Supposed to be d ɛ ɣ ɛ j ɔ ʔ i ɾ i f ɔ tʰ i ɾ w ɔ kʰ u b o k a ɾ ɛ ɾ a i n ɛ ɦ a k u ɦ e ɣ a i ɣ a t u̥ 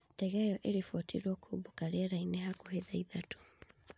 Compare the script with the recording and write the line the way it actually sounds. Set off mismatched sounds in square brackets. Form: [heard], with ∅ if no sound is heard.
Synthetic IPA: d ɛ ɣ ɛ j ɔ ʔ [e] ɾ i f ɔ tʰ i ɾ w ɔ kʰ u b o k a ɾ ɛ ɾ a i n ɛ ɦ a k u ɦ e [ð] a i [ð] a t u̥